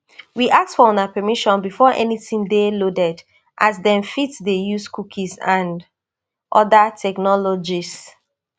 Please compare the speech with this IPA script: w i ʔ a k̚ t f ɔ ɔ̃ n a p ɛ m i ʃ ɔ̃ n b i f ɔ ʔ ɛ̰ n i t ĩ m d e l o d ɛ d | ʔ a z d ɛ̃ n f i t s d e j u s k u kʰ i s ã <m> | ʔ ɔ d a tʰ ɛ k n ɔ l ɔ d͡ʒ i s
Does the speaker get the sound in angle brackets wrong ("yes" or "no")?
yes